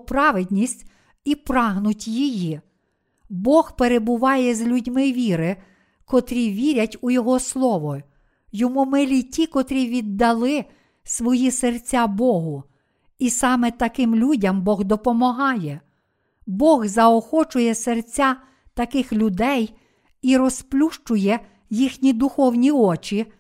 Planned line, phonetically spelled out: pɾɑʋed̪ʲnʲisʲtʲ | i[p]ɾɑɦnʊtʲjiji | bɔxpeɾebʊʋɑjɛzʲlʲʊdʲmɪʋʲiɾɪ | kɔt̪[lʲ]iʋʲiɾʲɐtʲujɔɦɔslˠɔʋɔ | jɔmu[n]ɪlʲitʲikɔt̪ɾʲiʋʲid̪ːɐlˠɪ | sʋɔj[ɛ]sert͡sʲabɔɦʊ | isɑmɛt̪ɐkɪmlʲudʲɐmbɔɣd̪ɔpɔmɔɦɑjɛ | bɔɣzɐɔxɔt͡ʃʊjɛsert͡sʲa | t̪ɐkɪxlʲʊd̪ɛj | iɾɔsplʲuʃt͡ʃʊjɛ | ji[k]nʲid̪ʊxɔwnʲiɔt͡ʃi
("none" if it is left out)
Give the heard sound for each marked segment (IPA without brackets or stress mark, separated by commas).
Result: p, ɾʲ, m, i, x